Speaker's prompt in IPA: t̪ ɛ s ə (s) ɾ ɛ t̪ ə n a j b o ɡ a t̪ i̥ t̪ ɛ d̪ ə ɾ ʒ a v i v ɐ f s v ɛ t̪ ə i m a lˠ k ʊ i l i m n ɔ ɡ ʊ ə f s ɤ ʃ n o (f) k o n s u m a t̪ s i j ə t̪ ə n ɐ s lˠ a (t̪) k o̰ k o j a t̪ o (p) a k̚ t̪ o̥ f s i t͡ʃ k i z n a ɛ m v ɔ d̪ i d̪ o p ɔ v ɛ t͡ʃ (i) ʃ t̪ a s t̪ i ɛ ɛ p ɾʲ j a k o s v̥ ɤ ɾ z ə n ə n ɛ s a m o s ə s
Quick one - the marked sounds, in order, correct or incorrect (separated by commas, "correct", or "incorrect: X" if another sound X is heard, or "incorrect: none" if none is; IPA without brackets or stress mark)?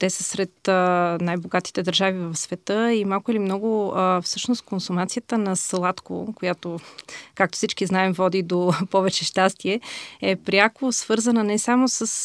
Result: correct, incorrect: s, correct, incorrect: k, incorrect: ɛ